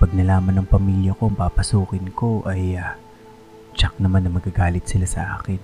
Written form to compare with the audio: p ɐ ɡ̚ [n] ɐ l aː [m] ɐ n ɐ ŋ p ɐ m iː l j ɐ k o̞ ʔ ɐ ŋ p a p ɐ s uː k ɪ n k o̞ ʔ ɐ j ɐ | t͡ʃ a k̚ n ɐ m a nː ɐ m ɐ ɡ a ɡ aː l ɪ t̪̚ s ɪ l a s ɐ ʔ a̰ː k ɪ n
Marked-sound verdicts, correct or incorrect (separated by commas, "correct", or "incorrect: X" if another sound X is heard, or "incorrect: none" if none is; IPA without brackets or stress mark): correct, correct